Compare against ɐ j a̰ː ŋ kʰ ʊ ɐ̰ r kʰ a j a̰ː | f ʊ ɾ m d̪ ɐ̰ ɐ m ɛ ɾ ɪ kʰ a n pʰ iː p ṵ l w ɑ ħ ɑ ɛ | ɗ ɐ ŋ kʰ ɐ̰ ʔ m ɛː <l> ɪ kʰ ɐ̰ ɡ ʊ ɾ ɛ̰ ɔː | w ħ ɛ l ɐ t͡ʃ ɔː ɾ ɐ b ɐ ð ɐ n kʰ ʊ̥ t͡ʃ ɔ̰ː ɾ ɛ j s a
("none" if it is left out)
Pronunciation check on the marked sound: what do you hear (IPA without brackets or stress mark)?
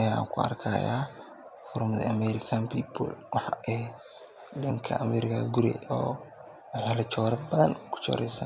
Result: ɾ